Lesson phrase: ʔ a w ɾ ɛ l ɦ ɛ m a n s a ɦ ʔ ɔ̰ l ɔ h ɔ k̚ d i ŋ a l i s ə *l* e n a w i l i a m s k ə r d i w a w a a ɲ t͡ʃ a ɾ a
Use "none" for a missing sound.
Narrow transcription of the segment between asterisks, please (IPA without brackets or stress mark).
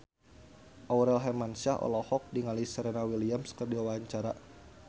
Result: ɾ